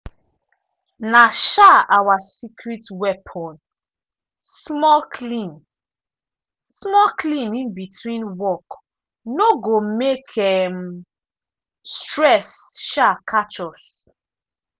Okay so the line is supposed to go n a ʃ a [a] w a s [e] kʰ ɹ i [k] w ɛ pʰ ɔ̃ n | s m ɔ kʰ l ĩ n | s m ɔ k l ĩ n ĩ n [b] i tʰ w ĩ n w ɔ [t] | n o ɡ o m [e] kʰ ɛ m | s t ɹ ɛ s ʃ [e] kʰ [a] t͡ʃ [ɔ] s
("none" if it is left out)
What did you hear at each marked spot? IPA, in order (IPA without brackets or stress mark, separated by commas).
a, i, t, b, k, e, a, a, ɔ